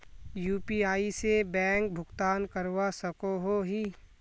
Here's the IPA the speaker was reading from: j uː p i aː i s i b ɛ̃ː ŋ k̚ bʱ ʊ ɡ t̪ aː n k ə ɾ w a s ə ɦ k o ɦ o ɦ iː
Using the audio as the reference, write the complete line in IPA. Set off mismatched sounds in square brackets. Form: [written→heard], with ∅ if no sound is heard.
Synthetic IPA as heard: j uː p i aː i s [i→e] b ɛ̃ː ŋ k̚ bʱ ʊ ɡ t̪ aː n k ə ɾ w a s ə [ɦ→∅] k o ɦ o ɦ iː